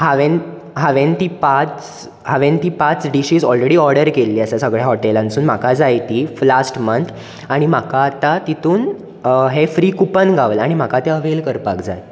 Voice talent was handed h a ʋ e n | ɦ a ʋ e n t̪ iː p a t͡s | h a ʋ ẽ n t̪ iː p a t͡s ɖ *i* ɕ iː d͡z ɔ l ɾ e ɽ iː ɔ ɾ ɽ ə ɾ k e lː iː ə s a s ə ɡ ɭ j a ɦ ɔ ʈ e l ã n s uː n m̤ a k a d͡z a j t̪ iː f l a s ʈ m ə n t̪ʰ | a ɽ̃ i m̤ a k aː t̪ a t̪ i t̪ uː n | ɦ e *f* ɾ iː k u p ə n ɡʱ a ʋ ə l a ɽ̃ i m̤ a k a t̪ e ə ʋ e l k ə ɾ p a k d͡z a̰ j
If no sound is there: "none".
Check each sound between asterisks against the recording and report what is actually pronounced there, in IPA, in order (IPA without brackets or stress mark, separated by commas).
i, f